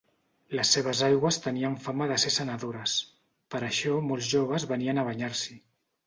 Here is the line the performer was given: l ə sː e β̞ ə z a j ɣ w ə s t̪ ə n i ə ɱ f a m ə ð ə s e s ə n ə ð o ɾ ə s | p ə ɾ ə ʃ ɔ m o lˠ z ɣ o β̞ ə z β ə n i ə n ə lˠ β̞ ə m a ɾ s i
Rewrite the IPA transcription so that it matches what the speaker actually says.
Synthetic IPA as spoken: l ə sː e β̞ ə z a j ɣ w ə s t̪ ə n i ə ɱ f a m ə ð ə s e s ə n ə ð o ɾ ə s | p ə ɾ ə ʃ ɔ m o lˠ z ʒ o β̞ ə z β ə n i ə n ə β̞ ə ɲ a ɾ s i